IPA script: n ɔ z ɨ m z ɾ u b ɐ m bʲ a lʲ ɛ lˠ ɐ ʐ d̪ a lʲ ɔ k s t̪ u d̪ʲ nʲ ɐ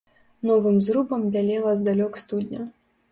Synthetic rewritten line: n ɔ v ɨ m z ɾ u b ɐ m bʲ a lʲ ɛ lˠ ɐ z d̪ a lʲ ɔ k s t̪ u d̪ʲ nʲ ɐ